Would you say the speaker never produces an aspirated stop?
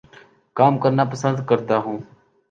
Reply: yes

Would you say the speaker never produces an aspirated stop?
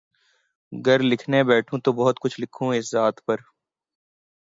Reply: no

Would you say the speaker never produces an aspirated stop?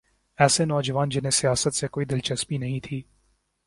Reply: no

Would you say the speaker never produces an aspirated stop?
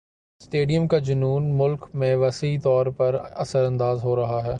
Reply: yes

